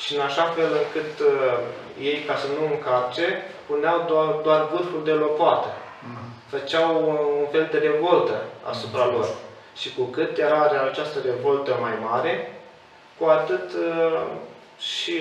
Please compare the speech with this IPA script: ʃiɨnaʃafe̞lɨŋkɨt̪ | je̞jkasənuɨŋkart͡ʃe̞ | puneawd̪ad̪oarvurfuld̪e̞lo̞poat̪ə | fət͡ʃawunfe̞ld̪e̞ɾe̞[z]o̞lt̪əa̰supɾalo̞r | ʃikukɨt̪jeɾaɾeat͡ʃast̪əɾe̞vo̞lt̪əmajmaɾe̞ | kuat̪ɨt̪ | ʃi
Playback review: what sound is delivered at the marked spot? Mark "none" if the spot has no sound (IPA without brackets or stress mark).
v